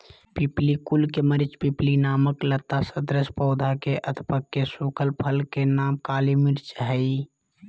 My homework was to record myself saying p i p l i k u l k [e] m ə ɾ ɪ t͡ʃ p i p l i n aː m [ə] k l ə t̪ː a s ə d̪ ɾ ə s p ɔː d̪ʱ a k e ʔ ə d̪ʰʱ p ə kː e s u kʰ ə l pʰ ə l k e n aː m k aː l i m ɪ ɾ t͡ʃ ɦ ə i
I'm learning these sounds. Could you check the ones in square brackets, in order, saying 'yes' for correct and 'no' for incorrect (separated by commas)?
yes, yes